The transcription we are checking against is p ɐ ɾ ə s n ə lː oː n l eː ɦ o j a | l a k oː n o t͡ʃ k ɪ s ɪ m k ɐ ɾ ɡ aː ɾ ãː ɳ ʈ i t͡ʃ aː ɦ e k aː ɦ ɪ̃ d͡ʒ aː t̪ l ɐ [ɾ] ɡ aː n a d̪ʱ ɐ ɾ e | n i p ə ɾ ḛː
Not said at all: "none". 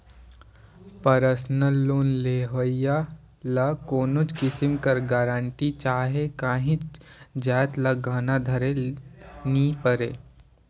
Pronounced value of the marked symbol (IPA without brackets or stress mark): none